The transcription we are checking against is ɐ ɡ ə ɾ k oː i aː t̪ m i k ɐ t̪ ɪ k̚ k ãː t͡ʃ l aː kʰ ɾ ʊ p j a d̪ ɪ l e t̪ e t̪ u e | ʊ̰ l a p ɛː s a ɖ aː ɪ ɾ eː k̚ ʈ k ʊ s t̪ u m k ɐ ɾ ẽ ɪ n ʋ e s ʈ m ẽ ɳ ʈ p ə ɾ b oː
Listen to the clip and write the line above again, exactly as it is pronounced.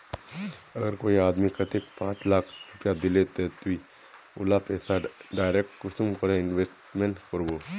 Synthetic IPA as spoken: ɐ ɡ ə ɾ k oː i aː d̪ m i k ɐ t̪ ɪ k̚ p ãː t͡ʃ l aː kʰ ɾ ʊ p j a d̪ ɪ l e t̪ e t̪ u i | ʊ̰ l a p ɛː s a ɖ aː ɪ ɾ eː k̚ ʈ k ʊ s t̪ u m k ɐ ɾ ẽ ɪ n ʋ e s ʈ m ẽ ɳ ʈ k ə ɾ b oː